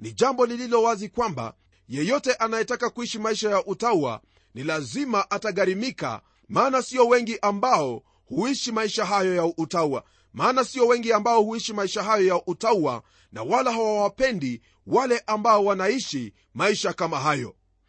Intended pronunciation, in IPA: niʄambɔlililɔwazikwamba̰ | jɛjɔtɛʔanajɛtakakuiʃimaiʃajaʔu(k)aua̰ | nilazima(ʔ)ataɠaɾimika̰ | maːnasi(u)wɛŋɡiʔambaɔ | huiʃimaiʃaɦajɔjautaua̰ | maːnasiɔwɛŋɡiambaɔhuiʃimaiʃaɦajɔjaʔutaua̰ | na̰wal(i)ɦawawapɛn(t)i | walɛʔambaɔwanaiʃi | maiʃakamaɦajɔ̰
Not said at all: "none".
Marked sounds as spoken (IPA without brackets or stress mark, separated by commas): t, ʔ, ɔ, a, d